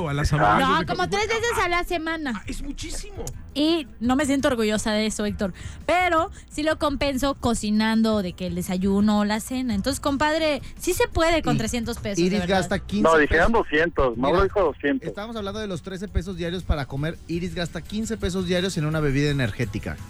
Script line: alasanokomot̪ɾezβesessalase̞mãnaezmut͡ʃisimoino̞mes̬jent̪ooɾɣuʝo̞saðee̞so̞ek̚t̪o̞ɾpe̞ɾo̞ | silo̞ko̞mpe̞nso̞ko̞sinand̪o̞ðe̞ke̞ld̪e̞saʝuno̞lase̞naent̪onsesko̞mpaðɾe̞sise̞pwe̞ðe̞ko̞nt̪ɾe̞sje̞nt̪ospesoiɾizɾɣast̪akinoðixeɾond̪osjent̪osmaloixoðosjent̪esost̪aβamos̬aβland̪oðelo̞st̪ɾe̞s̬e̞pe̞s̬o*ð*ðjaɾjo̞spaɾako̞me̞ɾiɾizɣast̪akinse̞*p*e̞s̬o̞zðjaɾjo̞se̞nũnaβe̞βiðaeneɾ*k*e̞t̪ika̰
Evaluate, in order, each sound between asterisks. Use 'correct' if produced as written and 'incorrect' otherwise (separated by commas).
incorrect, correct, incorrect